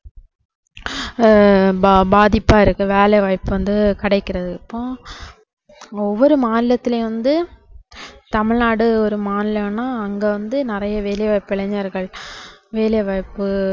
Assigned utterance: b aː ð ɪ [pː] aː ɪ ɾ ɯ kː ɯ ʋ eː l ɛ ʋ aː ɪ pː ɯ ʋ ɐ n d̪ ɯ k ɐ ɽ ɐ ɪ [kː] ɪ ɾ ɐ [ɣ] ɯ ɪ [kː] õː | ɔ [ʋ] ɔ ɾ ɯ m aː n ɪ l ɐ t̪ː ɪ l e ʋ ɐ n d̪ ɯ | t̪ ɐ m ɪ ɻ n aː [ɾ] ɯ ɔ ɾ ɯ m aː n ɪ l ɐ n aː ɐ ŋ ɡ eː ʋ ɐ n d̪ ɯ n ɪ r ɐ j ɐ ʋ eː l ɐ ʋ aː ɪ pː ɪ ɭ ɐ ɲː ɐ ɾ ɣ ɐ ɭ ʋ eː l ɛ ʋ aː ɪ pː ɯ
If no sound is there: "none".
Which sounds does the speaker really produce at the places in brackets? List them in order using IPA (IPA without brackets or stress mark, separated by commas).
pː, kː, ð, pː, ʋː, ɽ